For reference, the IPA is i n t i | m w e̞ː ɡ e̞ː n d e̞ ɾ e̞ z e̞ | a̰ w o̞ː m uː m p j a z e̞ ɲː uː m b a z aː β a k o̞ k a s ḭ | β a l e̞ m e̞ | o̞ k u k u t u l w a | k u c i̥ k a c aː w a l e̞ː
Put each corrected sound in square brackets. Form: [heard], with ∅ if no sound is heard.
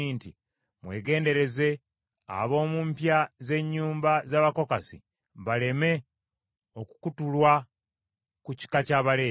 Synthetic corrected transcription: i n t i | m w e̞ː ɡ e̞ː n d e̞ ɾ e̞ z e̞ | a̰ [β] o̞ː m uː m p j a z e̞ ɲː uː m b a z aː β a k o̞ k a s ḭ | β a l e̞ m e̞ | o̞ k u k u t u l w a | k u c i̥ k a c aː [β] a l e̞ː